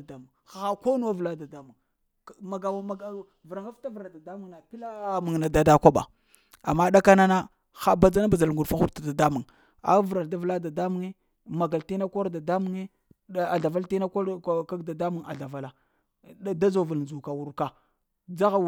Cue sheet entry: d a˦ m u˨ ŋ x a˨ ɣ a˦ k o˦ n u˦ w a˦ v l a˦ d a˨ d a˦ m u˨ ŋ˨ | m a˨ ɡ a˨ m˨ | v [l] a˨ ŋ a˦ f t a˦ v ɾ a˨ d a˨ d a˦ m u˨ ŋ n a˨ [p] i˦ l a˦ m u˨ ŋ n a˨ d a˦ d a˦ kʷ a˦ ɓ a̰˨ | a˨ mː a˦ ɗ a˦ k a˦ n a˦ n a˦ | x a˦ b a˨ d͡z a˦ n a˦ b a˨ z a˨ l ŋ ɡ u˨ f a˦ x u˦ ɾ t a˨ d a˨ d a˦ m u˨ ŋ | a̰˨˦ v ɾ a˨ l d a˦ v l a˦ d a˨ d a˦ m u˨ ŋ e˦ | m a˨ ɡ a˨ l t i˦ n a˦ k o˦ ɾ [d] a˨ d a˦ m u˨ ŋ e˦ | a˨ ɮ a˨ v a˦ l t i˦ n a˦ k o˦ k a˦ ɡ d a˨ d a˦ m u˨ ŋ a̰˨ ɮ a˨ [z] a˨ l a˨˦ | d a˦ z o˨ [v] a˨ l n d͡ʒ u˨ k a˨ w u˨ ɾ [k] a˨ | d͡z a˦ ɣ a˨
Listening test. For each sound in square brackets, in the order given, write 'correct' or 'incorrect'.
incorrect: ɾ, correct, correct, incorrect: v, correct, correct

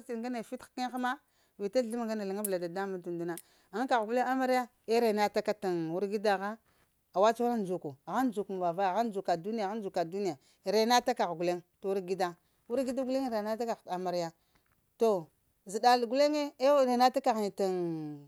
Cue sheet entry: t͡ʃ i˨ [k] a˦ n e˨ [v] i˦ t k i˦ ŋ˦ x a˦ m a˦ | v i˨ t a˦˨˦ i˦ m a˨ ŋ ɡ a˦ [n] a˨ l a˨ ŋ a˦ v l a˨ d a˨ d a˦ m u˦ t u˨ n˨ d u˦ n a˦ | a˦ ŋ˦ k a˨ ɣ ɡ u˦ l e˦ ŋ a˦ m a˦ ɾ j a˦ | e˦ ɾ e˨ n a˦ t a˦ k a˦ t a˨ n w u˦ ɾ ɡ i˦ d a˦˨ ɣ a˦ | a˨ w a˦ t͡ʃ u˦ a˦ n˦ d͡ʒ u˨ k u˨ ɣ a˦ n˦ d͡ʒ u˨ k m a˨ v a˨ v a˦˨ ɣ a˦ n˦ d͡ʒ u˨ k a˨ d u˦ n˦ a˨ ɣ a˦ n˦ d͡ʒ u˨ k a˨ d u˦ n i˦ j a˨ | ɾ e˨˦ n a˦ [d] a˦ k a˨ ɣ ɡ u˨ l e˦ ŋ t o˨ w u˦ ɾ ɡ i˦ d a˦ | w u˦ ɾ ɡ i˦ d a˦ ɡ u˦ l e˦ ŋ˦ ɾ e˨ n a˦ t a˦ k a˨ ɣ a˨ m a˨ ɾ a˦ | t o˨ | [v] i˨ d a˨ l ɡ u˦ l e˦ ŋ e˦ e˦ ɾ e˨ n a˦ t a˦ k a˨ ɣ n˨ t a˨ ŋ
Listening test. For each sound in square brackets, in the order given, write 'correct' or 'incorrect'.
incorrect: ɡ, incorrect: f, correct, incorrect: t, incorrect: z

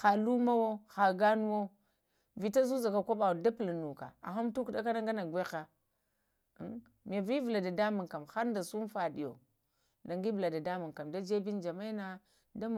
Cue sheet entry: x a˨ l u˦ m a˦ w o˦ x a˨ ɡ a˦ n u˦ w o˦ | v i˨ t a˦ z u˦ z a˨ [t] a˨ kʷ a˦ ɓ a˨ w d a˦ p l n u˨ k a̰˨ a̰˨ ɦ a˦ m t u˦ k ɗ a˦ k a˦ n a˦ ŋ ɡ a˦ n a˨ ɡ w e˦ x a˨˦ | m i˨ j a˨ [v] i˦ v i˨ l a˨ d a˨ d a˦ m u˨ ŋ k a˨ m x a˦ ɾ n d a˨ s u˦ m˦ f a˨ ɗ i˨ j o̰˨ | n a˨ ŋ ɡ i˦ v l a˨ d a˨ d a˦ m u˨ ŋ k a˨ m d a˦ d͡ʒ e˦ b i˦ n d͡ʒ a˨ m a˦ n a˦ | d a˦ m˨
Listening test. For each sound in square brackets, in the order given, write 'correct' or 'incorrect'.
incorrect: k, correct

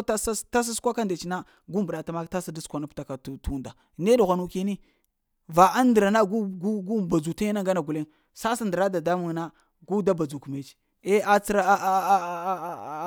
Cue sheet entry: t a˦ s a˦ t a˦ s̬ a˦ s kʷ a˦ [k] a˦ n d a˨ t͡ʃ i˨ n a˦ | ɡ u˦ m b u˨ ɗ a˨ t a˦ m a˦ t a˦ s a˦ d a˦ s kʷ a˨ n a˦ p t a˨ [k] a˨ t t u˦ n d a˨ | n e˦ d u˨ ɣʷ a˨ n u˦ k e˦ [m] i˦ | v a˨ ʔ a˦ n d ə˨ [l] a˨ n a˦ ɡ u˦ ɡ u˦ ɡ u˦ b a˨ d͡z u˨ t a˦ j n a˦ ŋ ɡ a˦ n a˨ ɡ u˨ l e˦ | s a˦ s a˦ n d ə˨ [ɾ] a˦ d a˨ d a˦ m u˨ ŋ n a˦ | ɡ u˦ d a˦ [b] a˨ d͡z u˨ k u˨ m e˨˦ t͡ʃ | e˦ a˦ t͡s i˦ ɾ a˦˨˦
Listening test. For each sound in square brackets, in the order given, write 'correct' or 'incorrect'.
correct, correct, incorrect: n, incorrect: ɾ, correct, correct

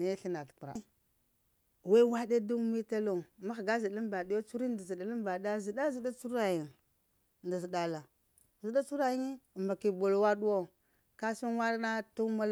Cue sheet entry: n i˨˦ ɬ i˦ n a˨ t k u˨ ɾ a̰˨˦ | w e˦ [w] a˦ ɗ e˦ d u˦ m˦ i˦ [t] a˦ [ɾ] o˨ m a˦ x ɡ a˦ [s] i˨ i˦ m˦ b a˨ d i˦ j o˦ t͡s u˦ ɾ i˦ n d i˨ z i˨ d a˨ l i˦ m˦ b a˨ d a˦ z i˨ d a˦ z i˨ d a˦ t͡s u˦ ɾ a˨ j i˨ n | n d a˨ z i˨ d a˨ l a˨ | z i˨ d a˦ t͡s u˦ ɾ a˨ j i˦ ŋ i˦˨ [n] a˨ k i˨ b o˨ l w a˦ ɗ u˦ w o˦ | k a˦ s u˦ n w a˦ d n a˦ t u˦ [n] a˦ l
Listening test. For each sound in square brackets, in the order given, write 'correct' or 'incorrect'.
correct, correct, incorrect: l, incorrect: z, incorrect: m, incorrect: m

